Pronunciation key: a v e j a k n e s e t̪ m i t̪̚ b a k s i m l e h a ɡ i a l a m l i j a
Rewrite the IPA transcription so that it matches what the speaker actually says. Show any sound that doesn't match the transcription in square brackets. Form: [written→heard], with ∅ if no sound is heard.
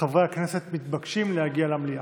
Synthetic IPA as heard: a v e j a k n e s e t̪ m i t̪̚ b a k [s→ʃ] i m l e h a ɡ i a l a m l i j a